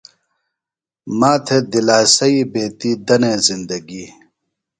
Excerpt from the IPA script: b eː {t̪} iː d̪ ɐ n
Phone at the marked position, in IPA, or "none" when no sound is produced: t̪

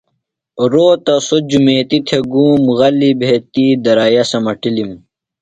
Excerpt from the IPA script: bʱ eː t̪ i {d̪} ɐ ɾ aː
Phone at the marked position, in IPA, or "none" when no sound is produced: d̪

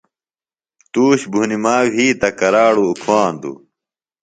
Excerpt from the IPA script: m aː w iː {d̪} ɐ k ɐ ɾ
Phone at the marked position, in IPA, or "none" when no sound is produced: t̪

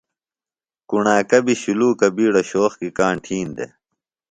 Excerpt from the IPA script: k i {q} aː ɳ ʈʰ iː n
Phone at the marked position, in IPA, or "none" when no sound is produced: k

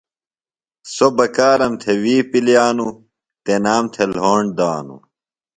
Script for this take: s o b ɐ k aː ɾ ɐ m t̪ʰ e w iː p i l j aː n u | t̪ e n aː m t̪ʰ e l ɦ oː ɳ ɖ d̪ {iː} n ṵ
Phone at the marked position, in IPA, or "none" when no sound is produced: aː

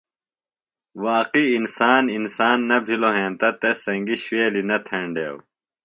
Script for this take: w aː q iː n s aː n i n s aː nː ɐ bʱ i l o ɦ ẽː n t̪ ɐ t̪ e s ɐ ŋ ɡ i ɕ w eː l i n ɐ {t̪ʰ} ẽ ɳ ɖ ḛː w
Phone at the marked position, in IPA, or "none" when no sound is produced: t̪ʰ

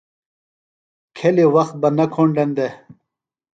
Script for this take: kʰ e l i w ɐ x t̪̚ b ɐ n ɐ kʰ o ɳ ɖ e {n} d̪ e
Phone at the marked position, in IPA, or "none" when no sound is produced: n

